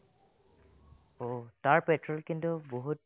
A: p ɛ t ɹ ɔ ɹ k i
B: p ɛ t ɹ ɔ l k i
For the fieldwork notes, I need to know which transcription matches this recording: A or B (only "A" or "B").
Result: B